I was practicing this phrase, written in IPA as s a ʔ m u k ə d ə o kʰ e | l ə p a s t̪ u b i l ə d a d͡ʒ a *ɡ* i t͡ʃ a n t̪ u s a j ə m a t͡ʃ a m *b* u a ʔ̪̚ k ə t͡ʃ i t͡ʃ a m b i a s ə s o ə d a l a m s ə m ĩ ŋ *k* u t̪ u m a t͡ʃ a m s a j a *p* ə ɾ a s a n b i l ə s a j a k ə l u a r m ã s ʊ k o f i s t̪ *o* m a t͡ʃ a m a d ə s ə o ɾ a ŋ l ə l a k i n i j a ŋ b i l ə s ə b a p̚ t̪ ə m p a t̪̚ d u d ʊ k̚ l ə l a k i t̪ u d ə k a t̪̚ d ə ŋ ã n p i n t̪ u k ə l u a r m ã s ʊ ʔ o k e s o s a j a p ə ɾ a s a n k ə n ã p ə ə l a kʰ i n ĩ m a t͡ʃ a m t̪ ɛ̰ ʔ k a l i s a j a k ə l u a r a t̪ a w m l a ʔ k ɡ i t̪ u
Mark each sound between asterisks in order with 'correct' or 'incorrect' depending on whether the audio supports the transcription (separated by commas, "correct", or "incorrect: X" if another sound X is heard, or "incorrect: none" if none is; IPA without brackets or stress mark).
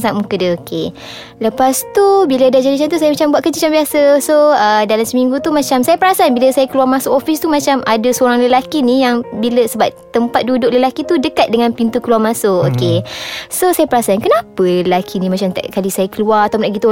incorrect: d, correct, incorrect: ɡ, correct, incorrect: u